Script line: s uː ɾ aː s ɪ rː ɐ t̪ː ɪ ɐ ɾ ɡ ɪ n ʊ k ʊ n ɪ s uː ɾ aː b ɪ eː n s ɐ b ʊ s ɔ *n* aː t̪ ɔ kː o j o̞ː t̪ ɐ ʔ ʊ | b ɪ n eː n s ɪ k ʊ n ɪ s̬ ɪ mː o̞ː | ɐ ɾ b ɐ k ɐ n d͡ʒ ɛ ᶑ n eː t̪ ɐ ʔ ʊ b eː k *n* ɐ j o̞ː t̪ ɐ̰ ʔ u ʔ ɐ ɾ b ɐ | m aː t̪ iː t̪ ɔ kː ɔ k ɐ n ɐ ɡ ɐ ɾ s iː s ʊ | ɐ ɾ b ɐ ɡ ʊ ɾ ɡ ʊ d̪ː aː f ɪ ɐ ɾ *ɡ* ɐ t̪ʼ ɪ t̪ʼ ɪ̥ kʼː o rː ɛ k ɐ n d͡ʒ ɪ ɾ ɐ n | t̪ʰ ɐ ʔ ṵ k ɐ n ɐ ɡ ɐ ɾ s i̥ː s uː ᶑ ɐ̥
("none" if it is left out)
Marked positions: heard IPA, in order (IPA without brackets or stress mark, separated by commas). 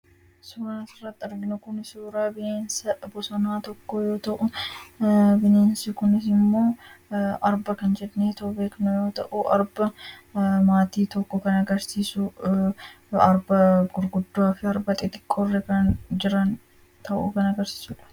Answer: n, n, b